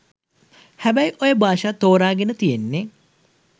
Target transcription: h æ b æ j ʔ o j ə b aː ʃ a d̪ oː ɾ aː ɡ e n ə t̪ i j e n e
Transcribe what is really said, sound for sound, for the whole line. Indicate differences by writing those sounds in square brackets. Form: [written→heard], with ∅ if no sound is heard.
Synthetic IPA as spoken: h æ b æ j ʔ o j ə b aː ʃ a [d̪→t̪] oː ɾ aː ɡ e n ə t̪ i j e [n→nː] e